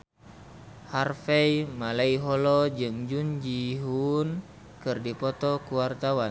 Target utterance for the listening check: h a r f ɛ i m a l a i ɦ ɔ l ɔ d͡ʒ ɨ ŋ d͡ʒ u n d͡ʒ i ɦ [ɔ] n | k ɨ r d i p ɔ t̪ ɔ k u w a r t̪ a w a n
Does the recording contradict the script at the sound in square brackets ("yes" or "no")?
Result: yes